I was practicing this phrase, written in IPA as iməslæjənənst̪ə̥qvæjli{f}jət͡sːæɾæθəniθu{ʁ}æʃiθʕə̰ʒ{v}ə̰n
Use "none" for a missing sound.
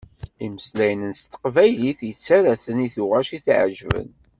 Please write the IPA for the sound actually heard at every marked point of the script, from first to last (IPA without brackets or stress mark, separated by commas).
θ, ʁ, v